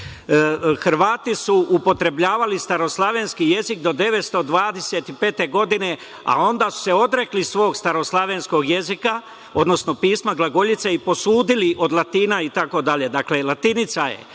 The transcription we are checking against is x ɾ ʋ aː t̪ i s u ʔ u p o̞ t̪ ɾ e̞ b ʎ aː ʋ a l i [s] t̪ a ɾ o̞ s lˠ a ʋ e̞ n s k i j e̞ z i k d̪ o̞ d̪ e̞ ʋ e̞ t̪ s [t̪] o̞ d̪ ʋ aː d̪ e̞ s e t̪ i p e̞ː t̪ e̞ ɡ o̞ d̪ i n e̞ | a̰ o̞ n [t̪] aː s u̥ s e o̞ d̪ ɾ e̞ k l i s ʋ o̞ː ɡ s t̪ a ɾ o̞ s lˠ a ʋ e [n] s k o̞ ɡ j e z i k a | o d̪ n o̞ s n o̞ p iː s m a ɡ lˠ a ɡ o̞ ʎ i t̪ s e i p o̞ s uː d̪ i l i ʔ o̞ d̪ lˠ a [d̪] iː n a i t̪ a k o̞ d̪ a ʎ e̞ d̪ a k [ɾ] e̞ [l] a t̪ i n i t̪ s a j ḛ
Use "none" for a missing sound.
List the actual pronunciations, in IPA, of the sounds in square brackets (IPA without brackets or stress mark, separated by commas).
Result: s, t̪, d̪, n, t̪, l, l